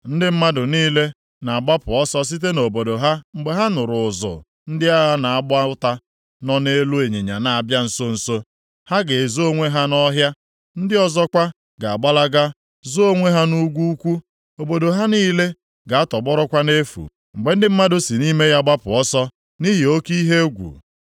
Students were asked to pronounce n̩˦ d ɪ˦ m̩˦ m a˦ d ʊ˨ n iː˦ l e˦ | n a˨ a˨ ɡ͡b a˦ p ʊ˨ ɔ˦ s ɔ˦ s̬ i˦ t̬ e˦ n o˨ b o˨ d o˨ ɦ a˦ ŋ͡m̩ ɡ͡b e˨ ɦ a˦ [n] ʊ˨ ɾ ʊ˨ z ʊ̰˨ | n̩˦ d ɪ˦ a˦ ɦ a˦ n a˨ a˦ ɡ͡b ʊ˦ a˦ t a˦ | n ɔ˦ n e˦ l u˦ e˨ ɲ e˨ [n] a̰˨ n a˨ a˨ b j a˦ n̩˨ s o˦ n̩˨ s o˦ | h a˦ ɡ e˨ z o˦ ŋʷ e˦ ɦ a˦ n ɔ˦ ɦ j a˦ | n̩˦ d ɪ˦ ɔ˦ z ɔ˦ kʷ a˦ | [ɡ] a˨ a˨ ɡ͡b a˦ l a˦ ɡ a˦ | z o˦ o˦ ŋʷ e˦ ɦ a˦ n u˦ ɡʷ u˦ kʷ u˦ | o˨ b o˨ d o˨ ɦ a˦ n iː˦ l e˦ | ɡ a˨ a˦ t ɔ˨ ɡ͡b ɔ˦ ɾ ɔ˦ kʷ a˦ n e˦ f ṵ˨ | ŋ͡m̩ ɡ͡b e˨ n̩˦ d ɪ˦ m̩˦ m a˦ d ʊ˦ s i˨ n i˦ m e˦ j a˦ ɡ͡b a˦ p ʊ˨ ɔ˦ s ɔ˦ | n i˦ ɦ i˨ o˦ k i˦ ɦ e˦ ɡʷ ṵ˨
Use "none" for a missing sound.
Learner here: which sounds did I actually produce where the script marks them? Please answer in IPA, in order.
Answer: n, ɲ, ɡ

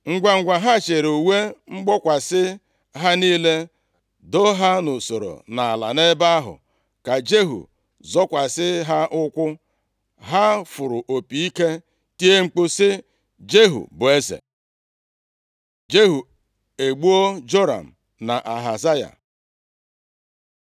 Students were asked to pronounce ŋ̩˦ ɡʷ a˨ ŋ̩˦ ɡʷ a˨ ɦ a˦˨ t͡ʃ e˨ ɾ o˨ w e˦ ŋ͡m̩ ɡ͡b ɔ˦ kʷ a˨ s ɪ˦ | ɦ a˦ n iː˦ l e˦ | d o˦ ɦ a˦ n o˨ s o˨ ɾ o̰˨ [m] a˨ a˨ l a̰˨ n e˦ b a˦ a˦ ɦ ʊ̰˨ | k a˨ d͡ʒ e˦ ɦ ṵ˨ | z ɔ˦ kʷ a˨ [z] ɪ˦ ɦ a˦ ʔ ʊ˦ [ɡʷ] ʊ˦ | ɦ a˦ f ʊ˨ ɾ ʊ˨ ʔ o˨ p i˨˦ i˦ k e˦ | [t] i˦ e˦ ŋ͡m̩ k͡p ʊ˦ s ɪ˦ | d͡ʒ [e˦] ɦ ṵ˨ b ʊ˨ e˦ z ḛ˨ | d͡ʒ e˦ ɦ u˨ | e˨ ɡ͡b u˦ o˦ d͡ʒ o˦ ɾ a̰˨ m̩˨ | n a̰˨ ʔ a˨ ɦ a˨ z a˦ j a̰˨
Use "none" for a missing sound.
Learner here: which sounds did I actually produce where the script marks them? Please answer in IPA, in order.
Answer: n, s, kʷ, t, e˦

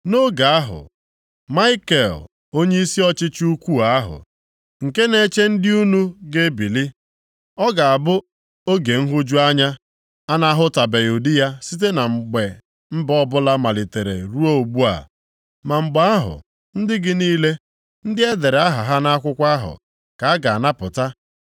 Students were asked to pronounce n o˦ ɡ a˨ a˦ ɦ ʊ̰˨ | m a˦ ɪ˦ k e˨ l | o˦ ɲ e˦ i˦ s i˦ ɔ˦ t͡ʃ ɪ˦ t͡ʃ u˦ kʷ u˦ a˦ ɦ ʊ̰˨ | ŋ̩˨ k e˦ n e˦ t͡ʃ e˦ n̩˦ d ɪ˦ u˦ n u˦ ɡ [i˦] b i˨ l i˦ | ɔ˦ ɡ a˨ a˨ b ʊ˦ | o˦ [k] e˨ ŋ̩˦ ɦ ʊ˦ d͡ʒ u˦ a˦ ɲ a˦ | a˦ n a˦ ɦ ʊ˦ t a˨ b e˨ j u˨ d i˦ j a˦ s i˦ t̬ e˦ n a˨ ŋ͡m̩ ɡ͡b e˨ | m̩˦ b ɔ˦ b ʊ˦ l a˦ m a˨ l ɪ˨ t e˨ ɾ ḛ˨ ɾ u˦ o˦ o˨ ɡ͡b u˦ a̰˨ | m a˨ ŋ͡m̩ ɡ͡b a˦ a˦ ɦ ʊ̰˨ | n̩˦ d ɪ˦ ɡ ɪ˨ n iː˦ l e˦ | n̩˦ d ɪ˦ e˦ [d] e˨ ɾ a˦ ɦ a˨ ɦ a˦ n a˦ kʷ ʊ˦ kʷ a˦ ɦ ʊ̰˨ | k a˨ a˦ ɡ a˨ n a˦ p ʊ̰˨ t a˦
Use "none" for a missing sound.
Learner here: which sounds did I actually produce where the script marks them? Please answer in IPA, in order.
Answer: e˦, ɡ, d

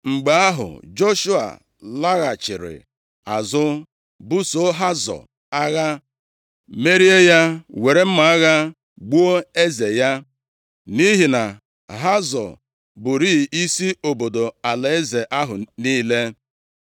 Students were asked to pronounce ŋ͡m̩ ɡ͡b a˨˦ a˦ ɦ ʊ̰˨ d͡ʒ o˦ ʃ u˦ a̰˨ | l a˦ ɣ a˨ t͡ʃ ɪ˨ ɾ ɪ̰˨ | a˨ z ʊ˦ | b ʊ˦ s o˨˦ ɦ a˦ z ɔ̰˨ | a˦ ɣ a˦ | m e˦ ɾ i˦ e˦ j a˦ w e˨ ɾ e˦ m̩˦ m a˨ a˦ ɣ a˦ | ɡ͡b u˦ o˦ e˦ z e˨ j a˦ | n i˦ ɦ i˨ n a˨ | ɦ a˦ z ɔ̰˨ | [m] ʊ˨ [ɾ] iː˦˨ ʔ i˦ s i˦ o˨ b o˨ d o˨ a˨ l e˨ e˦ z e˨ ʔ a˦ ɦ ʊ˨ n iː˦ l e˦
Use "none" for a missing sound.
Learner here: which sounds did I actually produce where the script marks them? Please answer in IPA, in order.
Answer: b, ɾ

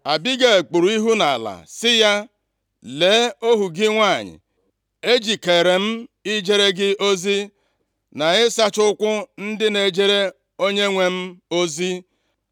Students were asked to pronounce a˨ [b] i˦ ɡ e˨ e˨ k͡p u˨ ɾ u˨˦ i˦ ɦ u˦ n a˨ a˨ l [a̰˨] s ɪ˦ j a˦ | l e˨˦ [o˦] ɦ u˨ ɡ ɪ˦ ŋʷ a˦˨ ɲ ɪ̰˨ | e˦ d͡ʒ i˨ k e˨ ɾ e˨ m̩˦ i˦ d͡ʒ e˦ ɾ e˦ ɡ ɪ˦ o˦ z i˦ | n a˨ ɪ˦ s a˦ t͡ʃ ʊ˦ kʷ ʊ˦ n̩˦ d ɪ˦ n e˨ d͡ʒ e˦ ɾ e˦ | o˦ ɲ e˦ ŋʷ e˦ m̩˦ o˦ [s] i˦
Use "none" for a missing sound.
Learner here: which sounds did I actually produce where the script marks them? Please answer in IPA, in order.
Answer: b, a̰˨, o˦, z

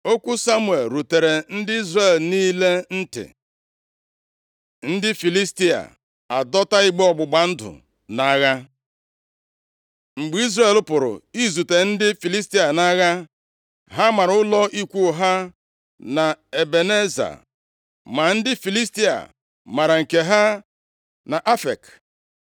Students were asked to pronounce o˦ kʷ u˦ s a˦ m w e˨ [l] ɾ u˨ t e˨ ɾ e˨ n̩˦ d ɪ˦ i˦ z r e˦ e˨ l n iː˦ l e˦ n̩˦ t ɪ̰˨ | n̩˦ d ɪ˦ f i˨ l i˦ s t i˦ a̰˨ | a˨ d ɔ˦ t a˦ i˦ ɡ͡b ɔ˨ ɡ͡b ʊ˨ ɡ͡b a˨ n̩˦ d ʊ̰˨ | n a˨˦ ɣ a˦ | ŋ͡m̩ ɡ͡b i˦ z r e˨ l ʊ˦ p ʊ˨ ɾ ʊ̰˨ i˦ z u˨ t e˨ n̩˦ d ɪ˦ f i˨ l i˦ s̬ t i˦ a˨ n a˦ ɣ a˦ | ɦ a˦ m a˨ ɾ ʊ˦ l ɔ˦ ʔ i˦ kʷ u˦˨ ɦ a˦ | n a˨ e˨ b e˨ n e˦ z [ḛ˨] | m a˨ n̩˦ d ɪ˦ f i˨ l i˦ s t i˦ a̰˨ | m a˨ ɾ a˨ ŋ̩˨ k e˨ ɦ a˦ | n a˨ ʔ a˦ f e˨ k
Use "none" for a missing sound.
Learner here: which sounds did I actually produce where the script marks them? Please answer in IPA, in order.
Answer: l, a̰˨

